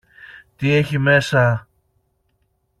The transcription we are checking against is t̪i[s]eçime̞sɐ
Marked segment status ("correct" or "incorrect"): incorrect